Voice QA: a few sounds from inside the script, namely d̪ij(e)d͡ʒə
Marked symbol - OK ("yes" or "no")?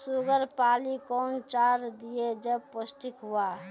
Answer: yes